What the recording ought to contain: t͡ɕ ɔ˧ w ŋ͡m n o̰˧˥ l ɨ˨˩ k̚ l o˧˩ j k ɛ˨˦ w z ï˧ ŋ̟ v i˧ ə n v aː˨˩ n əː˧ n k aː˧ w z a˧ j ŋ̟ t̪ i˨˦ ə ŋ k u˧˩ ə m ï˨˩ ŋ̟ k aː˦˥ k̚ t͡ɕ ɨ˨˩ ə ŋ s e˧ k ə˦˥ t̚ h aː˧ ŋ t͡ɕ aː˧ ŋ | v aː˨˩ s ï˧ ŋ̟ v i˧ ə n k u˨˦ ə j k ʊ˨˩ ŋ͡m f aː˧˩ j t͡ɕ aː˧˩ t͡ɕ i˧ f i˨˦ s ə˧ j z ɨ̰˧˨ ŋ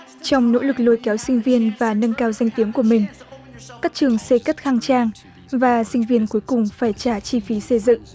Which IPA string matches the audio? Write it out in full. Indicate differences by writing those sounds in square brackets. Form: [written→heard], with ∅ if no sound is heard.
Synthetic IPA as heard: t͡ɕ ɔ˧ w ŋ͡m n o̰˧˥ l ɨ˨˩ k̚ l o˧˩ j k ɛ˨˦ w [z→s] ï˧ ŋ̟ v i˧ ə n v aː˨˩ n [əː˧→ə˧] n k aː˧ w z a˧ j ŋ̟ t̪ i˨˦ ə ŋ k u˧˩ ə m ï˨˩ ŋ̟ k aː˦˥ k̚ t͡ɕ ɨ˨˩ ə ŋ s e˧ k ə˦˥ t̚ [h→x] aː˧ ŋ t͡ɕ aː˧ ŋ | v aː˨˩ s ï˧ ŋ̟ v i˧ ə n k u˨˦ ə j k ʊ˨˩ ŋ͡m f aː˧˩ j t͡ɕ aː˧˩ t͡ɕ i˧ f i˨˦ s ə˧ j z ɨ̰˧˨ ŋ